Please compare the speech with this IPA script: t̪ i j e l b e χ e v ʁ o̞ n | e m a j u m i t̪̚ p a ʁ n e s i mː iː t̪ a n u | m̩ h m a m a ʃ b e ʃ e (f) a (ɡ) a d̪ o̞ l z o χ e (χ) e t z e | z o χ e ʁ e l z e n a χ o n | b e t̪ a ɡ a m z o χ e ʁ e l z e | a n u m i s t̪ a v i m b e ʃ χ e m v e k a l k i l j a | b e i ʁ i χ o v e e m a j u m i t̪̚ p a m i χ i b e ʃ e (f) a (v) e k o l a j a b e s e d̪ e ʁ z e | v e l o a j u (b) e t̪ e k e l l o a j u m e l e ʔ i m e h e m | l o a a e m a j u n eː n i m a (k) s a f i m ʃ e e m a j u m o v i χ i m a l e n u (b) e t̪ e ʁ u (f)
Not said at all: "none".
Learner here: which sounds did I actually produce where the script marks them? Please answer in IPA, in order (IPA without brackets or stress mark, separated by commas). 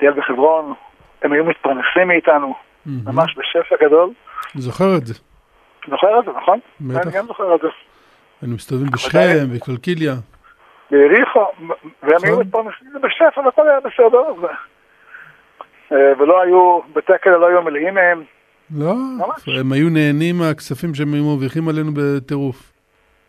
f, ɡ, ʁ, f, v, b, k, b, f